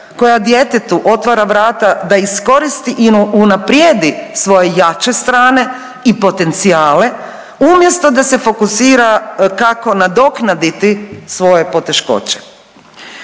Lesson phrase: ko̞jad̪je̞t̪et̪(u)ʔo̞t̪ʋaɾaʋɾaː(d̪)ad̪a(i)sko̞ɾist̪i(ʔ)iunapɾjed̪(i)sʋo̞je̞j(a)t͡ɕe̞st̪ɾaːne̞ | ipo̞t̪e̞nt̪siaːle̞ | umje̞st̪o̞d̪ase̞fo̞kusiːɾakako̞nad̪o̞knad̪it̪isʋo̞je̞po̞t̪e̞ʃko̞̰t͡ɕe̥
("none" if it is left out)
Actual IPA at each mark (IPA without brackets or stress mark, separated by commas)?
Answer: u, t̪, i, ʔ, i, a